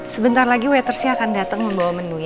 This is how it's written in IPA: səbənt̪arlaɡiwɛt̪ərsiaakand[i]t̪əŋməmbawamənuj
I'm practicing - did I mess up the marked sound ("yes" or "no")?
yes